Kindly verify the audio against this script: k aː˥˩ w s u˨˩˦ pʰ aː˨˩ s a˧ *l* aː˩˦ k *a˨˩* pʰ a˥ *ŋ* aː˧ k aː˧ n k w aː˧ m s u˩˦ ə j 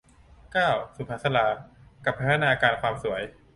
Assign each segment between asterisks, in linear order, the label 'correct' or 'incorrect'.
correct, correct, incorrect: n

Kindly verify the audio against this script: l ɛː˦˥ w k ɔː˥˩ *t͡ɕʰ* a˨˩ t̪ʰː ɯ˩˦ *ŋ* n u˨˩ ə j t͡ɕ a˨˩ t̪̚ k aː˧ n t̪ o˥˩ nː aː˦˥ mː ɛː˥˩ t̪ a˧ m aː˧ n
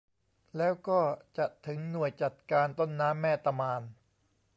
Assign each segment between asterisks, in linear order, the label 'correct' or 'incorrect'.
incorrect: t͡ɕ, correct

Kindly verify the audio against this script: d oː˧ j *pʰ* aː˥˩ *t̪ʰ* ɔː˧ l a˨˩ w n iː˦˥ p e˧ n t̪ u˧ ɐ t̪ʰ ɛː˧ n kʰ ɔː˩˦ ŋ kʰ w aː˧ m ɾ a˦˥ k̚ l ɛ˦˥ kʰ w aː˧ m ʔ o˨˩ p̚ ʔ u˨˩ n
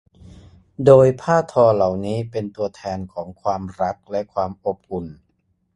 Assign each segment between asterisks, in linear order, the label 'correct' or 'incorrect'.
correct, correct

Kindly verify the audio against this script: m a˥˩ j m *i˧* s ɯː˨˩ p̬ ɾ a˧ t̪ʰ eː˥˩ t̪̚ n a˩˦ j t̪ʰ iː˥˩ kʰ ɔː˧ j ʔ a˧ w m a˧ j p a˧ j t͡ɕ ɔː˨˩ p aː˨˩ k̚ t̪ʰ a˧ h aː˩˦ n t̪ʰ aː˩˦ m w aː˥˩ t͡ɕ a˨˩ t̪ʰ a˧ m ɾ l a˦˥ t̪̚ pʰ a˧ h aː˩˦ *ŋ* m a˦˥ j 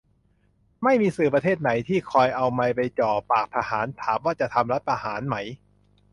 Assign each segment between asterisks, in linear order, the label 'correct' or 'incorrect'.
incorrect: iː˧, incorrect: n

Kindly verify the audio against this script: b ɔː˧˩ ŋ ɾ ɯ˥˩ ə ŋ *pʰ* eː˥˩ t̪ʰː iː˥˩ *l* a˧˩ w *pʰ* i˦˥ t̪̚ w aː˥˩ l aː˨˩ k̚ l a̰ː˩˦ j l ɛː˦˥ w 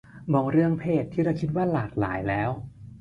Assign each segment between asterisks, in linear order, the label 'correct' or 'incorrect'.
correct, incorrect: ɾ, incorrect: kʰ

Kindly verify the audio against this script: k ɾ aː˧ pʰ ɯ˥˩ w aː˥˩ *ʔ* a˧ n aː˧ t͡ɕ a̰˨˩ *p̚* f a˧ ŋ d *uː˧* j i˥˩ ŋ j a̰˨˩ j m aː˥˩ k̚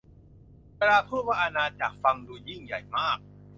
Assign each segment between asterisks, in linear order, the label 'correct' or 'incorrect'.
correct, incorrect: k̚, correct

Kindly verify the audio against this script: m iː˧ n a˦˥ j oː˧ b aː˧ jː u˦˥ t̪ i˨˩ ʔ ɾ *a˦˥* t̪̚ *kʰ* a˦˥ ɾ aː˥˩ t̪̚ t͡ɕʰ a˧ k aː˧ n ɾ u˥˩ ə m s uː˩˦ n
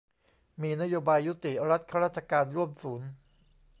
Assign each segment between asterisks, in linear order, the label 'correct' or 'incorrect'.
correct, correct

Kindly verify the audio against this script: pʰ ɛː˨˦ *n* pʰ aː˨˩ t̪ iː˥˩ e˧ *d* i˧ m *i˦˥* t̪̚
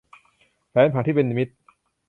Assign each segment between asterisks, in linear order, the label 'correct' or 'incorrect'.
correct, incorrect: n, correct

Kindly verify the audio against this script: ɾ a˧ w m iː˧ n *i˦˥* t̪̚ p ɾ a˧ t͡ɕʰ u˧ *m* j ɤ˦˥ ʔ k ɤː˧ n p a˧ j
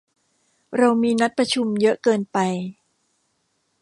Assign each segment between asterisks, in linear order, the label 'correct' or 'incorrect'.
incorrect: a˦˥, correct

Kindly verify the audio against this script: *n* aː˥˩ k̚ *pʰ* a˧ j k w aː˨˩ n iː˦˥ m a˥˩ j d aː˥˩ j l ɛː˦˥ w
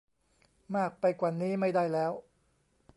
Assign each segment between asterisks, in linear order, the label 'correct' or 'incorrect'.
incorrect: m, incorrect: p

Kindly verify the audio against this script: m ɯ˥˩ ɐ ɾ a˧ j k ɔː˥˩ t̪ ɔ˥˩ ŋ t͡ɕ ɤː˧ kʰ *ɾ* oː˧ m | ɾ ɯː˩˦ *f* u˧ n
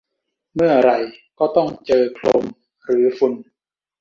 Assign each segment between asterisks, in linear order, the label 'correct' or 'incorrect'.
incorrect: l, correct

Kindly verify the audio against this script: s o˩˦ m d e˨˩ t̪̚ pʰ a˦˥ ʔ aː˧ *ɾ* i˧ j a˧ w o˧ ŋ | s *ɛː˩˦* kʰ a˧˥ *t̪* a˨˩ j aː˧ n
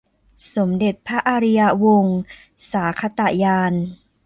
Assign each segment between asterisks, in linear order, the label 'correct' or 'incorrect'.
correct, incorrect: aː˩˦, correct

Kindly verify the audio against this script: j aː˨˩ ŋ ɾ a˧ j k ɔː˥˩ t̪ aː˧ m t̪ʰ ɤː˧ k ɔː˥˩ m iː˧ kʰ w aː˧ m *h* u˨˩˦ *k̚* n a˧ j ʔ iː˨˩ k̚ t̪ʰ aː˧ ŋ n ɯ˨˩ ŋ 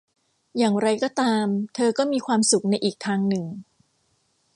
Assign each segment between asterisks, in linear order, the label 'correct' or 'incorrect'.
incorrect: s, correct

